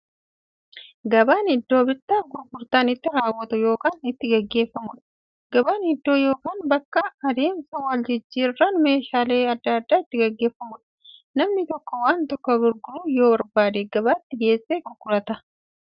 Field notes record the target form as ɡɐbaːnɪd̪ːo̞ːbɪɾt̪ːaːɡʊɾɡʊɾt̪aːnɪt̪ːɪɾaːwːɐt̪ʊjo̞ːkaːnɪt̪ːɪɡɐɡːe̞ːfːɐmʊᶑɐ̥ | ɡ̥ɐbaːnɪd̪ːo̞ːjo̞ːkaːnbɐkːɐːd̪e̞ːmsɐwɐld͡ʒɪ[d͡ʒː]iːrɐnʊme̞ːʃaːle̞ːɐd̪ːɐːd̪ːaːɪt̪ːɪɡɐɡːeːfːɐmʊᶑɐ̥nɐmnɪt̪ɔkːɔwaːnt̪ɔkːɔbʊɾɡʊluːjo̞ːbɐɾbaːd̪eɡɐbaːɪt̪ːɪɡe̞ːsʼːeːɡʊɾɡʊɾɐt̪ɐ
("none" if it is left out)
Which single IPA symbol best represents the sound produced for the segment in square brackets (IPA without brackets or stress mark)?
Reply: d͡ʒː